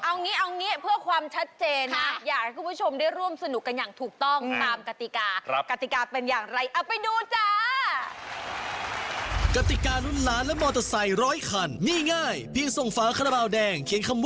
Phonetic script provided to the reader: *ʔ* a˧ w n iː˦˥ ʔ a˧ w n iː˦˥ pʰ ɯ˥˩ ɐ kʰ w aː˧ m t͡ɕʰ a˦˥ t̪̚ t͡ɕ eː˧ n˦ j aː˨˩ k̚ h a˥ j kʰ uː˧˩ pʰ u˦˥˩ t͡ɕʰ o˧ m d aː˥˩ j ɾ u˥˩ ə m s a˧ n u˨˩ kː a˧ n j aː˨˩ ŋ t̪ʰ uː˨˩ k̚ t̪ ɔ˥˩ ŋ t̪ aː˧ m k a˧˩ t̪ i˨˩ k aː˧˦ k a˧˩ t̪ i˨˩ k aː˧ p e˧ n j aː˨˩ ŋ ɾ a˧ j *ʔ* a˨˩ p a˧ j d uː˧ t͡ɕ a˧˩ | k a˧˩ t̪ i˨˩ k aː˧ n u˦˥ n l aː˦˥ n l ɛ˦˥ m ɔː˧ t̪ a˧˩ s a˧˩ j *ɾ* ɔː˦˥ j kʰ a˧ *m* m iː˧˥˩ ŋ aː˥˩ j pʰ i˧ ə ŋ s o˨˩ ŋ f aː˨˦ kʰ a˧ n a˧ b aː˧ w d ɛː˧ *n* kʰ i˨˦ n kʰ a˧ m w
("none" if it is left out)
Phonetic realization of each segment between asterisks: ʔ, ʔ, ɾ, n, ŋ

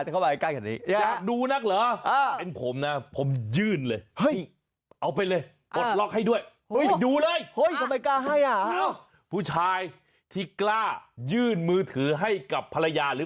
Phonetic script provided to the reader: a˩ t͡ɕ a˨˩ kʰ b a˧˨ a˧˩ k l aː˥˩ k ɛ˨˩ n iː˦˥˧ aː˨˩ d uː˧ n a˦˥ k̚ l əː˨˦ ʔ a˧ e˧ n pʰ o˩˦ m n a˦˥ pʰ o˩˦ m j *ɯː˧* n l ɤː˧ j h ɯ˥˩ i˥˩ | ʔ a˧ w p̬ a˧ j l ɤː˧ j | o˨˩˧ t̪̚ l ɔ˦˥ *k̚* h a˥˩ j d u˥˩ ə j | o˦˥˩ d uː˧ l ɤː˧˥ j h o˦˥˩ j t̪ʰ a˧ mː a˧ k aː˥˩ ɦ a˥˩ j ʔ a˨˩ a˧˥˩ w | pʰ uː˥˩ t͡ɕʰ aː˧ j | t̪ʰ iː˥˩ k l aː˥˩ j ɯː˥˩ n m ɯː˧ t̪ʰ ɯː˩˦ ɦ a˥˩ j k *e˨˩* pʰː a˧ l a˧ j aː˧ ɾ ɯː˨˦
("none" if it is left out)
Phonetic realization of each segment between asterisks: ɯː˥˩, k̚, a˨˩

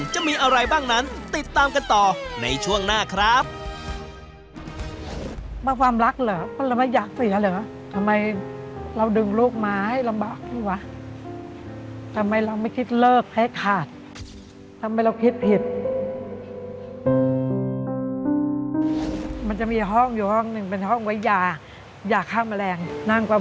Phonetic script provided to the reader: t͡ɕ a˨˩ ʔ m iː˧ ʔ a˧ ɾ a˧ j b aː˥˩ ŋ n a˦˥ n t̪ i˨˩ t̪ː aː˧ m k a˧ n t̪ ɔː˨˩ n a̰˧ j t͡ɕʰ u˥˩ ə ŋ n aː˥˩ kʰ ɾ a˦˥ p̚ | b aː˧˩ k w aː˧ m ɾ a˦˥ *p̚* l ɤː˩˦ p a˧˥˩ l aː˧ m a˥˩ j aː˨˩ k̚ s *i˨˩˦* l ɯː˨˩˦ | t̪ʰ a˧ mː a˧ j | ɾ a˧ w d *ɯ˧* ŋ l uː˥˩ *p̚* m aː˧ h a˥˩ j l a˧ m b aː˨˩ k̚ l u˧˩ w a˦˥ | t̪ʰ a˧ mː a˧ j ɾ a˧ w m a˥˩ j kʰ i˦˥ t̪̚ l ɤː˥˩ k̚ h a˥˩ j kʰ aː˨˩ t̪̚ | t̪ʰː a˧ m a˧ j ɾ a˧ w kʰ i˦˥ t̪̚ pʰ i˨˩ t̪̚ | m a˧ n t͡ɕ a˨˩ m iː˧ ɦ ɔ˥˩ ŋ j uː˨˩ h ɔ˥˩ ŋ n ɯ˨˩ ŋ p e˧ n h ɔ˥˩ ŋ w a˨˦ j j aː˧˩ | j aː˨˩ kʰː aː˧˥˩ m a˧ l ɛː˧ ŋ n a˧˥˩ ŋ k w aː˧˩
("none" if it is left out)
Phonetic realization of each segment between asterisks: k̚, i˨˩˦, ɯ˧, k̚

